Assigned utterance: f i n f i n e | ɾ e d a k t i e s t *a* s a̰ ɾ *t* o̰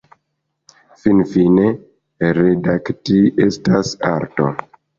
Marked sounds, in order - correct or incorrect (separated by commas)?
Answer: correct, correct